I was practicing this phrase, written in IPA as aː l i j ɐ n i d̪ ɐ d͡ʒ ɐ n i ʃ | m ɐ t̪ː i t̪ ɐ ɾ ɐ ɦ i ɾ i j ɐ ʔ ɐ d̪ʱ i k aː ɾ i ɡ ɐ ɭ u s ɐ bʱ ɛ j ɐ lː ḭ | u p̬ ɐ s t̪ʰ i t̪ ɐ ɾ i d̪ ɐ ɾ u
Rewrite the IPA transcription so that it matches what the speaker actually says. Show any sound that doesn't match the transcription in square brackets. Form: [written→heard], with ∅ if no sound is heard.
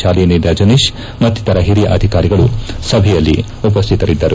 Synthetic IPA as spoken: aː l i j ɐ n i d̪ ɐ d͡ʒ ɐ n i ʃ | m ɐ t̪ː i t̪ ɐ ɾ ɐ ɦ i ɾ i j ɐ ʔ ɐ d̪ʱ i k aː ɾ i ɡ ɐ ɭ u s ɐ bʱ ɛ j ɐ lː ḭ | u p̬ ɐ s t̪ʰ i t̪ ɐ ɾ i [d̪→d̪ː] ɐ ɾ u